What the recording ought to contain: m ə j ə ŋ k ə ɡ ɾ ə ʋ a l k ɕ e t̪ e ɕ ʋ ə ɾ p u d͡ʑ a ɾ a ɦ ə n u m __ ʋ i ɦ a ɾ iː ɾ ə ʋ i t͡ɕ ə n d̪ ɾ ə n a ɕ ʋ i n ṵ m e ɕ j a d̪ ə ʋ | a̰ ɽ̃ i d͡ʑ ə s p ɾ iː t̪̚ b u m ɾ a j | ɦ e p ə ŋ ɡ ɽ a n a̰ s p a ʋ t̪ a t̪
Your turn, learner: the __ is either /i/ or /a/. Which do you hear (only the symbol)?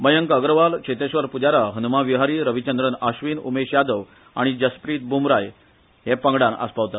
a